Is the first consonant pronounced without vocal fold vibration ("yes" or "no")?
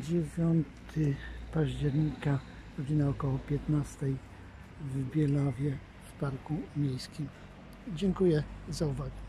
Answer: no